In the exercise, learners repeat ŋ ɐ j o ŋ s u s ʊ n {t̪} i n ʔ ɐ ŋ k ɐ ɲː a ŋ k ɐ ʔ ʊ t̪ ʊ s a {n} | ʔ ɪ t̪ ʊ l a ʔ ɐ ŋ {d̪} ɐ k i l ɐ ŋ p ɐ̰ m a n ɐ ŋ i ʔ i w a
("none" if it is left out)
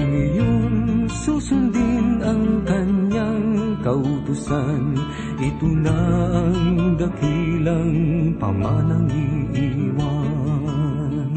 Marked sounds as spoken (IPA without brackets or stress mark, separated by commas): d̪, n, d̪